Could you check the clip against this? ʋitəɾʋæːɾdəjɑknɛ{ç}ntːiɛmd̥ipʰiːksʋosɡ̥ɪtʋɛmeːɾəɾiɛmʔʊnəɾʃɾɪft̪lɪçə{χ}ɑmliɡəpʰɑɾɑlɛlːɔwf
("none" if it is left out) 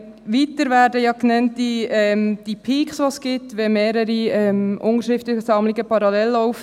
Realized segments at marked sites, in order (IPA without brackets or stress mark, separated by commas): none, s